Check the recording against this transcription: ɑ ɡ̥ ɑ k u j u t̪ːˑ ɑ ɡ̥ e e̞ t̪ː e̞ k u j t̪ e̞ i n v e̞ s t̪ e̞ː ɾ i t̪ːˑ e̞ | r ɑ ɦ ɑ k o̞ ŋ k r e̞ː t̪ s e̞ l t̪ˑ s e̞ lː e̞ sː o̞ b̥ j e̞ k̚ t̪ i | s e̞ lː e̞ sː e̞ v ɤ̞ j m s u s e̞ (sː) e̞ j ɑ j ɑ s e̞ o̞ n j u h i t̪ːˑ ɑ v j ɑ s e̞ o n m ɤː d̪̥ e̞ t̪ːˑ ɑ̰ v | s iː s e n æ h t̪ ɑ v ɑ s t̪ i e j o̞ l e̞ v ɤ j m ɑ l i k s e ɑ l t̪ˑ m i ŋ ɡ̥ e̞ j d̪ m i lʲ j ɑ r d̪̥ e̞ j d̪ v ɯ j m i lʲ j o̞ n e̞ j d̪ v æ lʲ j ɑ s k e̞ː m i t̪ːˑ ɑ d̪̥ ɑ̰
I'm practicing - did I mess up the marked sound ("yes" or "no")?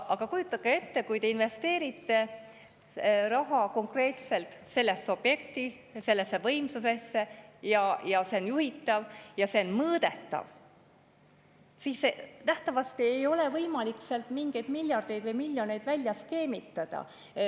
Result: no